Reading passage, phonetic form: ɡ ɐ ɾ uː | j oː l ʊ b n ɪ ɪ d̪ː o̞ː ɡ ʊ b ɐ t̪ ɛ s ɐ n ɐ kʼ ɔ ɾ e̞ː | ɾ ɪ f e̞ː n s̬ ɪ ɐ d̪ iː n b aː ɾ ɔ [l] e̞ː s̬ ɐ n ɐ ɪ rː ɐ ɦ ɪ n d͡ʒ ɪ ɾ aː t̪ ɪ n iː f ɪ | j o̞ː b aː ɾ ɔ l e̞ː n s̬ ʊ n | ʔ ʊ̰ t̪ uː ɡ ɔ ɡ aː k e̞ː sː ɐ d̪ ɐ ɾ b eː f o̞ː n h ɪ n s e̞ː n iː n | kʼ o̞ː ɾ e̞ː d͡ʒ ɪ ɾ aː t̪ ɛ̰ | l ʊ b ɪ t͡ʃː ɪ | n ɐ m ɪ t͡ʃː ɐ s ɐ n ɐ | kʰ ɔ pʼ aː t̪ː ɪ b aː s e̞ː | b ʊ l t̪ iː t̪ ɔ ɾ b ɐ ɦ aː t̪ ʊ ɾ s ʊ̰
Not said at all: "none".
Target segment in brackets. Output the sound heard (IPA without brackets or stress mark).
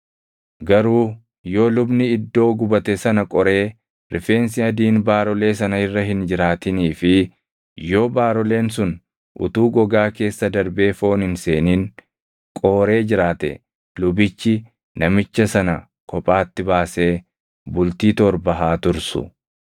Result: l